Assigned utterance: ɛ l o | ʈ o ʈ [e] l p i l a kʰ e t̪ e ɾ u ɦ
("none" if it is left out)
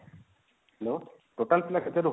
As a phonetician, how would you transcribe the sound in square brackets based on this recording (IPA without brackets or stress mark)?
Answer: a